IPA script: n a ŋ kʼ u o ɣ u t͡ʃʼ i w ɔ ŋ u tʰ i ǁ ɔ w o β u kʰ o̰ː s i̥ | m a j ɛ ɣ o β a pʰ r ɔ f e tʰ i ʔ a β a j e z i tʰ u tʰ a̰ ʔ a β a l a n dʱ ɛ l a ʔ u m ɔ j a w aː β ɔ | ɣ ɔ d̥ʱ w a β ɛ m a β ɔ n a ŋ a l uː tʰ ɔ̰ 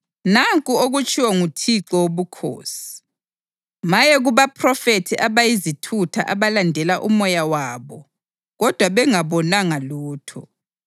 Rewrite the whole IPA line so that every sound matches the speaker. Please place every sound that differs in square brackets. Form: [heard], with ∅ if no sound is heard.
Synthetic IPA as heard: n a ŋ kʼ u o ɣ u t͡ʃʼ i w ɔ ŋ u tʰ i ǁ ɔ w o β u kʰ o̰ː s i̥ | m a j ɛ ɣ [u] β a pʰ r ɔ f e tʰ i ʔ a β a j [i] z i tʰ u tʰ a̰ ʔ a β a l a n dʱ ɛ l a ʔ u m ɔ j a w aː β ɔ | ɣ ɔ d̥ʱ w a β ɛ [ŋ] a β ɔ n a ŋ a l uː tʰ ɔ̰